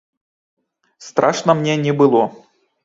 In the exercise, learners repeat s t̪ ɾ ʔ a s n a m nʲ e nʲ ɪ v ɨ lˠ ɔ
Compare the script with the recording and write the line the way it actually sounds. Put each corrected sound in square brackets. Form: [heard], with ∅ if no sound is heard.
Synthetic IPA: s t̪ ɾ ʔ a [ʂ] n [ə] m nʲ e nʲ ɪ [b] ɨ lˠ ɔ